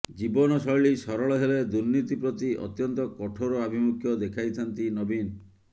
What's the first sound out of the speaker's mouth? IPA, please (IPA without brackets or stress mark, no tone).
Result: d͡ʒ